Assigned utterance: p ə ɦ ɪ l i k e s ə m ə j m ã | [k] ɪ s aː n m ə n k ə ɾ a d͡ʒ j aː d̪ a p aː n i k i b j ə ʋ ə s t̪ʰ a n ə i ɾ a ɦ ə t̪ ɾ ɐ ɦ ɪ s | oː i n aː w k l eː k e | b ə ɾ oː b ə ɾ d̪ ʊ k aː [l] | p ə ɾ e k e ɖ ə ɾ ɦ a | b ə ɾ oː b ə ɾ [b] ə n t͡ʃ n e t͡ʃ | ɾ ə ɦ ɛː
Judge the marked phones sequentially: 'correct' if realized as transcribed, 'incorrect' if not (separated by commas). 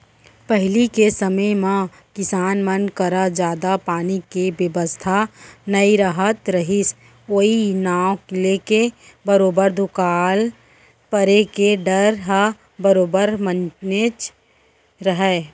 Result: correct, correct, incorrect